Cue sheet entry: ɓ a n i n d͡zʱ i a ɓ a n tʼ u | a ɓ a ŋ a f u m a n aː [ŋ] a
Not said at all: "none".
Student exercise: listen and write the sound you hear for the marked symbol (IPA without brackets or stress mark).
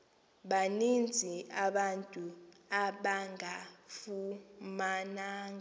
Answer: ŋ